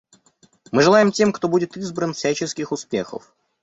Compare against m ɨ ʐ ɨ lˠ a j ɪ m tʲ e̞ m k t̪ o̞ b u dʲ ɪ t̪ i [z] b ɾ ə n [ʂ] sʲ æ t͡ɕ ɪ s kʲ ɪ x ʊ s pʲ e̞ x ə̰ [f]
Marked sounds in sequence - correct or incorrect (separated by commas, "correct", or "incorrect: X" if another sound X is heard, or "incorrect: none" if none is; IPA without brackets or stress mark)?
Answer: correct, incorrect: f, correct